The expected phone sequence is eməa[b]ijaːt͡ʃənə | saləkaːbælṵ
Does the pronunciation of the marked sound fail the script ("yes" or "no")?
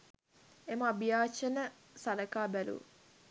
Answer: no